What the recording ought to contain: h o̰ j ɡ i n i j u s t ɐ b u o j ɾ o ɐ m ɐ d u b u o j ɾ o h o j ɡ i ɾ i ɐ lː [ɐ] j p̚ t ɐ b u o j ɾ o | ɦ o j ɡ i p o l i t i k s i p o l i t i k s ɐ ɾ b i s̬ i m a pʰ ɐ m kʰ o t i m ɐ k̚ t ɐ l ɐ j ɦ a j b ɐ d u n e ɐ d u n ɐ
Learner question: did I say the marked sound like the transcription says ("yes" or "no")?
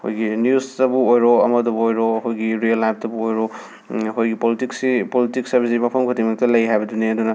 no